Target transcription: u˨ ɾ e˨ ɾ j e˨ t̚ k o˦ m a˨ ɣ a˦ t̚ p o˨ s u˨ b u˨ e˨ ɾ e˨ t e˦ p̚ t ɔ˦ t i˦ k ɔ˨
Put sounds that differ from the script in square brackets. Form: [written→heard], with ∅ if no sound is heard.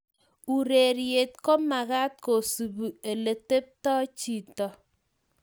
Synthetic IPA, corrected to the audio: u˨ ɾ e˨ ɾ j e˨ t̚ k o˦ m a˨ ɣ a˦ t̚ [p→k] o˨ s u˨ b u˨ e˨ [ɾ→l] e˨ t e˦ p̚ t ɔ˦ [t→t͡ʃ] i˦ [k→t] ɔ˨